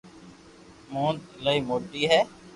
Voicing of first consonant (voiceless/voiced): voiced